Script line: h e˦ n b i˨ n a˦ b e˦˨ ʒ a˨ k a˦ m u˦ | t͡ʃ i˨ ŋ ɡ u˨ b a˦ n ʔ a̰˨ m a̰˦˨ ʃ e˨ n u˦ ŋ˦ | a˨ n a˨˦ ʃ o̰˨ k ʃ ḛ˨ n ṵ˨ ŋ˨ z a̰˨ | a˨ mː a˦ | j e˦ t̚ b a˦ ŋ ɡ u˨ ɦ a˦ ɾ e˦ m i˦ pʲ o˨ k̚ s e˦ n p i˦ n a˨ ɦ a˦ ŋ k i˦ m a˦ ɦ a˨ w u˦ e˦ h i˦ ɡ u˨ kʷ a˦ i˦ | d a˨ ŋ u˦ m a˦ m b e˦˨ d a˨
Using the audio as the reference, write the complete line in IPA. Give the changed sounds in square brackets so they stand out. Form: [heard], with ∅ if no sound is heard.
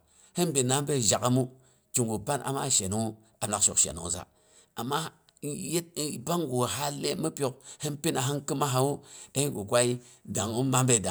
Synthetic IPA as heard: h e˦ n b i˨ n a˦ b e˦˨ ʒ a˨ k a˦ m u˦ | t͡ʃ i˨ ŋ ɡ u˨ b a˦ n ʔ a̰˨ m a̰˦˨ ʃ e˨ n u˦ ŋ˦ | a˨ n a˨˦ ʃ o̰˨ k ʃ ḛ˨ n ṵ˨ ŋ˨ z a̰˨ | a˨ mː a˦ | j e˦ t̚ b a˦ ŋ ɡ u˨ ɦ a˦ [l] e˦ m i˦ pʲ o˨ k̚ [h] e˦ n p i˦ n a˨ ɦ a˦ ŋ k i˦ m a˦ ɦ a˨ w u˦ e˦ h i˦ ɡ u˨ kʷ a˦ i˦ | d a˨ ŋ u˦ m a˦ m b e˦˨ d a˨